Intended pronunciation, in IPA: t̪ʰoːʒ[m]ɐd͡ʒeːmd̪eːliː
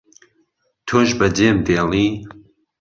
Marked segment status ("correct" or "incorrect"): incorrect